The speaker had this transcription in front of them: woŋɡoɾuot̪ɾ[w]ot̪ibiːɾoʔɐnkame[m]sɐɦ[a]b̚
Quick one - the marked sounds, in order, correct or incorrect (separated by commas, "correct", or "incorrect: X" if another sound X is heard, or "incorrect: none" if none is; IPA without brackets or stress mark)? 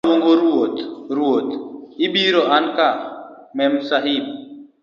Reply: incorrect: u, correct, incorrect: i